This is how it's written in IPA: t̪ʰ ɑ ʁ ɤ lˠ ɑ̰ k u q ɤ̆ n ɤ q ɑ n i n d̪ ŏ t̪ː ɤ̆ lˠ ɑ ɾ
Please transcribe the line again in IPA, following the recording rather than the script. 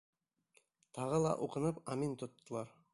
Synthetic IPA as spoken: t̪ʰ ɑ ʁ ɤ lˠ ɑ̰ ʔ u q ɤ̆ n ɤ p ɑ m i n t̪ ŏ t̪ː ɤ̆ lˠ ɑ ɾ